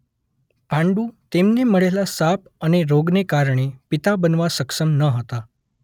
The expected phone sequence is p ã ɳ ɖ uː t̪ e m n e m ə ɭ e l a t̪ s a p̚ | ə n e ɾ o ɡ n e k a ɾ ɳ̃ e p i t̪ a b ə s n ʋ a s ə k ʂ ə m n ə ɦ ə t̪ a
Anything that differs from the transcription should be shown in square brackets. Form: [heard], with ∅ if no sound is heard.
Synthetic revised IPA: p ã ɳ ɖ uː t̪ e m n e m ə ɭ e l a [∅] s a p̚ | ə n e ɾ o ɡ n e k a ɾ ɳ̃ e p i t̪ a b ə [∅] n ʋ a s ə k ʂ ə m n ə ɦ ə t̪ a